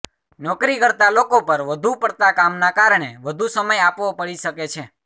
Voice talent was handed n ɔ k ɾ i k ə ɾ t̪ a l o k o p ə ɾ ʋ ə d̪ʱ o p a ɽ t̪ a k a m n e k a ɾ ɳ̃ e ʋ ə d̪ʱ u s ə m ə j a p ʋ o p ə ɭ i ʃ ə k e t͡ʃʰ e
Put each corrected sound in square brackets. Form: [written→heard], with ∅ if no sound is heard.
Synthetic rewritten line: n ɔ k ɾ i k ə ɾ t̪ a l o k o p ə ɾ ʋ ə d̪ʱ [o→u] p [a→ə] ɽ t̪ a k a m n [e→a] k a ɾ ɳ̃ e ʋ ə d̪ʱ u s ə m ə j a p ʋ o p ə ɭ i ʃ ə k e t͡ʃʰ e

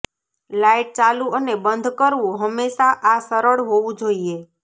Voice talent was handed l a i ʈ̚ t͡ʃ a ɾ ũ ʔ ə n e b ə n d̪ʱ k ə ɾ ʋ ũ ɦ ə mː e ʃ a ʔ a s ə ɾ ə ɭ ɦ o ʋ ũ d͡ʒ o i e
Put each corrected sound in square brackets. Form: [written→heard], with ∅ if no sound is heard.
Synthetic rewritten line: l a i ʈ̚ t͡ʃ a [ɾ→l] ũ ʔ ə n e b ə n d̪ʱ k ə ɾ ʋ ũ ɦ ə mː e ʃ a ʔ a s ə ɾ ə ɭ ɦ o ʋ ũ d͡ʒ o i e

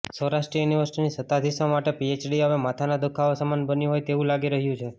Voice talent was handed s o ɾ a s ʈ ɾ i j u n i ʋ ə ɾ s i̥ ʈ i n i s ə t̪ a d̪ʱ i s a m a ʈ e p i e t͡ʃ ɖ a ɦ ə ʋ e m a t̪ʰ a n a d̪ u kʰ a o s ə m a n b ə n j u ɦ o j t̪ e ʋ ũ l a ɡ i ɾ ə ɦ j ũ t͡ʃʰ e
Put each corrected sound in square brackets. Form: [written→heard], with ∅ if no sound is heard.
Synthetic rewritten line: s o ɾ a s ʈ ɾ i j u n i ʋ ə ɾ s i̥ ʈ i n i s ə t̪ a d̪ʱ i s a m a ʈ e p i e t͡ʃ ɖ [a→i] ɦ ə ʋ e m a t̪ʰ a n a d̪ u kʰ a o s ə m a n b ə n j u ɦ o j t̪ e ʋ ũ l a ɡ i ɾ ə ɦ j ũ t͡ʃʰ e

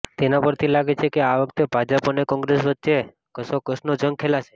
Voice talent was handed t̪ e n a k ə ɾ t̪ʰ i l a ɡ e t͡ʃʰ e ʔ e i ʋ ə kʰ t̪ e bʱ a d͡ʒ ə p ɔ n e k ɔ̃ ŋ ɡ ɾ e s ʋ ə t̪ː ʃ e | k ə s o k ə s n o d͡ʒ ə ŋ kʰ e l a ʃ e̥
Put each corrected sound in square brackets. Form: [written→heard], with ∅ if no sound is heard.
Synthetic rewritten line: t̪ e n a [k→p] ə ɾ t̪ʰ i l a ɡ e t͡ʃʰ e [ʔ→k] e [i→a] ʋ ə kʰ t̪ e bʱ a d͡ʒ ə p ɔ n e k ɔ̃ ŋ ɡ ɾ e s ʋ ə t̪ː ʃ e | k ə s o k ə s n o d͡ʒ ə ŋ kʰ e l a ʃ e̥

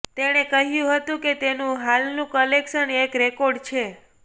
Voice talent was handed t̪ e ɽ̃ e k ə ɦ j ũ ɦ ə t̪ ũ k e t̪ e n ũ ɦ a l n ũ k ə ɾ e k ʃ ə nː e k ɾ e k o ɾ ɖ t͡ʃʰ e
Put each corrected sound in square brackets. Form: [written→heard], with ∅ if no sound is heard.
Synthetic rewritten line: t̪ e ɽ̃ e k ə ɦ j ũ ɦ ə t̪ ũ k e t̪ e n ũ ɦ a l n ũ k ə [ɾ→l] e k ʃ ə [nː→n] e k ɾ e k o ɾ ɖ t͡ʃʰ e

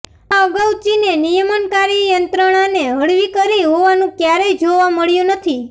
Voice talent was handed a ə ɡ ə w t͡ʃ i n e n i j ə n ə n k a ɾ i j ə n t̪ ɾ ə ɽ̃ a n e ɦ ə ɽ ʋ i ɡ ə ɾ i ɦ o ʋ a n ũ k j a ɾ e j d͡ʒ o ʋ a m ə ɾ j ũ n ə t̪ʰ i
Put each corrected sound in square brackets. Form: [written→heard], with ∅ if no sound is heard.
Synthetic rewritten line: a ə ɡ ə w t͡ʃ i n e n i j ə [n→m] ə n k a ɾ i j ə n t̪ ɾ ə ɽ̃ a n e ɦ ə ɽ ʋ i [ɡ→k] ə ɾ i ɦ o ʋ a n ũ k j a ɾ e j d͡ʒ o ʋ a m ə [ɾ→ɭ] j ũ n ə t̪ʰ i

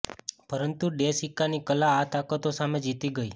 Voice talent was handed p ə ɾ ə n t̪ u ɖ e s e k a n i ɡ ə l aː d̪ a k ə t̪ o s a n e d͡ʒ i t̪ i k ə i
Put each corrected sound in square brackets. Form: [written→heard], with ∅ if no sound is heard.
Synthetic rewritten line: p ə ɾ ə n t̪ u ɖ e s [e→i] k a n i [ɡ→k] ə l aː [d̪→t̪] a k ə t̪ o s a [n→m] e d͡ʒ i t̪ i [k→ɡ] ə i

